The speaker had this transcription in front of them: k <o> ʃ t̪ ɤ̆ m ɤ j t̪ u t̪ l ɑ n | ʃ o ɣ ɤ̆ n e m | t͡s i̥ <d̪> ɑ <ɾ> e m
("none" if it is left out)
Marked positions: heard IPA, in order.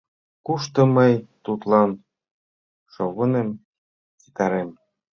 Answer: u, t̪, ɾ

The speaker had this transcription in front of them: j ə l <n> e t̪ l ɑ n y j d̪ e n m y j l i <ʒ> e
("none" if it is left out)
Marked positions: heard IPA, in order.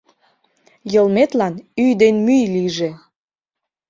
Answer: m, ʒ

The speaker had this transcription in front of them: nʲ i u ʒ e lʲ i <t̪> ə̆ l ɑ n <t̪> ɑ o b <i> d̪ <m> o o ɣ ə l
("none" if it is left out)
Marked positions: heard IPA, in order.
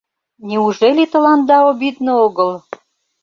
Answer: t̪, d̪, i, n

